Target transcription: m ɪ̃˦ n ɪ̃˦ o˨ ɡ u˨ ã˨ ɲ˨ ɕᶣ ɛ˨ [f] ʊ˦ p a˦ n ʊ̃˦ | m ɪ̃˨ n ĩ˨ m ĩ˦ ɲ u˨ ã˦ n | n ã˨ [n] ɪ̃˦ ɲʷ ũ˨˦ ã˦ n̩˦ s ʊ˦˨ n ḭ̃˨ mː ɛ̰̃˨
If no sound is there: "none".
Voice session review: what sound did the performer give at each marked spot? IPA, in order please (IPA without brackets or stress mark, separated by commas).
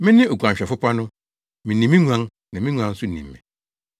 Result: f, m